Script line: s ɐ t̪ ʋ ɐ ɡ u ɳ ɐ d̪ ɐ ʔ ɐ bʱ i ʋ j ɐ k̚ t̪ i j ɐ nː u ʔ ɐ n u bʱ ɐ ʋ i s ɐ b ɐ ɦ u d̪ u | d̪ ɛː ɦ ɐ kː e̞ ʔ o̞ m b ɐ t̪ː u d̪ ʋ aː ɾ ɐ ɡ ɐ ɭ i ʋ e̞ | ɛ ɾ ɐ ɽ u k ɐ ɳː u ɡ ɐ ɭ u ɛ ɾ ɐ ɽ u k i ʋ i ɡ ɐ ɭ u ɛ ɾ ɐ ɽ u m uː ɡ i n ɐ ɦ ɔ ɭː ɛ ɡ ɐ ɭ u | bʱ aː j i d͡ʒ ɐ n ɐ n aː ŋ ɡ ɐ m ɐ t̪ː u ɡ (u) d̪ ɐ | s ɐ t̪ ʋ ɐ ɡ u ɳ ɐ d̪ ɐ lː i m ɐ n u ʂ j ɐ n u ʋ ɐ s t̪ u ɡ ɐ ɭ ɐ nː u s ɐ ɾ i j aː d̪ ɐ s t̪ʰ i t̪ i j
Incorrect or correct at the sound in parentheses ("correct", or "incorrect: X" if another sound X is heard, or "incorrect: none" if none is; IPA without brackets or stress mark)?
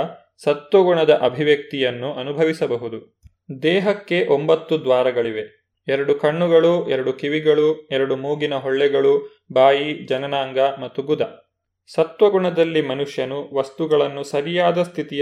correct